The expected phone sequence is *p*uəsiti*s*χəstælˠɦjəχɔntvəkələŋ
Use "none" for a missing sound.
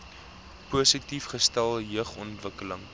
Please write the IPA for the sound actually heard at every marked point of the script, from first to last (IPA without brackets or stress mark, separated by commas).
p, f